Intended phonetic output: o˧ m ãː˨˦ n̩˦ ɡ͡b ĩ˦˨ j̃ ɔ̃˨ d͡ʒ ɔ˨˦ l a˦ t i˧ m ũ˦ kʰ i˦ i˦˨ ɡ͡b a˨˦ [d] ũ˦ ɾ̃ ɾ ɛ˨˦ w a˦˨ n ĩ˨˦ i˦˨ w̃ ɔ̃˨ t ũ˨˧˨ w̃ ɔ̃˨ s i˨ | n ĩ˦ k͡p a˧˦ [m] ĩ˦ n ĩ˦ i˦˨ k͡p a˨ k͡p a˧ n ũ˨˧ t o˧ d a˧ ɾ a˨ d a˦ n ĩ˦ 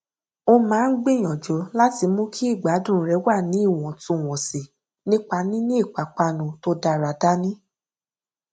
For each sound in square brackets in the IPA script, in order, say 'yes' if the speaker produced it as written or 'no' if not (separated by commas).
yes, no